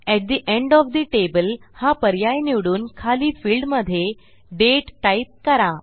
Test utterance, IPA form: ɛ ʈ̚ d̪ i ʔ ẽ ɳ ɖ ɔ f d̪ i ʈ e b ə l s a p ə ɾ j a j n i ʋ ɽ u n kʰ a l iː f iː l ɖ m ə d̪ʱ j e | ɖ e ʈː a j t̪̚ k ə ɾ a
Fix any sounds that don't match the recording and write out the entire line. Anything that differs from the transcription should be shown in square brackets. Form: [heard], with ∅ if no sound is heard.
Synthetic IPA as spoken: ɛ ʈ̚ d̪ i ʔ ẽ ɳ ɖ ɔ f d̪ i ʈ e b ə l [h] a p ə ɾ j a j n i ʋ ɽ [uː] n kʰ a l iː f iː l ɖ m ə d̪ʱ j e | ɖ e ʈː a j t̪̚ k ə ɾ a